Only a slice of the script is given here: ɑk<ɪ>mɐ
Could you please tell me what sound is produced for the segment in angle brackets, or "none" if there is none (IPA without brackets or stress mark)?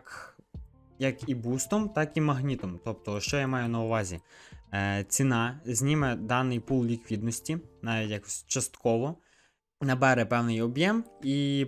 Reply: i